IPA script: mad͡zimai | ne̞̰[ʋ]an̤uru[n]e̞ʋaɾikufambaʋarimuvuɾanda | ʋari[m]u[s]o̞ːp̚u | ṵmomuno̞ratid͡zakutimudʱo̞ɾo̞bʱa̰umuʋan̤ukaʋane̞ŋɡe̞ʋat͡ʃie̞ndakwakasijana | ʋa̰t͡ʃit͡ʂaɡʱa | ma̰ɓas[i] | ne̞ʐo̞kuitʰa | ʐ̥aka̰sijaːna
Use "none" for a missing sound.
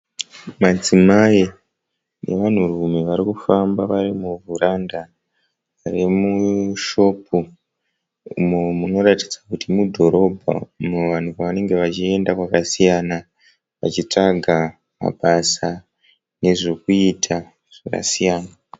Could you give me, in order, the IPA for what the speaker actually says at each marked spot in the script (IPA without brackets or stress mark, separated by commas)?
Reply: ʋ, m, m, ʃ, a